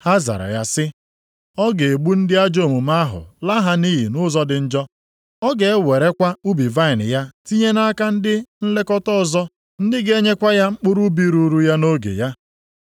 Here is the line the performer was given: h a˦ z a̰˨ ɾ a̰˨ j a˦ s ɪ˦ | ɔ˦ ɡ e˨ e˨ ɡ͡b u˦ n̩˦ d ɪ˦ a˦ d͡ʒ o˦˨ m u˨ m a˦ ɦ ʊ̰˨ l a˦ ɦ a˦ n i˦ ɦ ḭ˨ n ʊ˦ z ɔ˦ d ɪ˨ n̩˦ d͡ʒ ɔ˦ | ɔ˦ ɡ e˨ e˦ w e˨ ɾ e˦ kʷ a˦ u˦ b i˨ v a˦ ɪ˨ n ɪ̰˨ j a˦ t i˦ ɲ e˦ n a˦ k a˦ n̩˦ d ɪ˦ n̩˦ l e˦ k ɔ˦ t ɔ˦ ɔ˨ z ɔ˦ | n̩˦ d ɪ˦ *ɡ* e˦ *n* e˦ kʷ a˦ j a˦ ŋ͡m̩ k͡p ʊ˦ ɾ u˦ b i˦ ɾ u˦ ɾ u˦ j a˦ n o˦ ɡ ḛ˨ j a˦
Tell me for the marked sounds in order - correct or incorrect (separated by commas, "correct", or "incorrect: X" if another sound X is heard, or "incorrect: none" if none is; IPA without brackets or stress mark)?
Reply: correct, incorrect: ɲ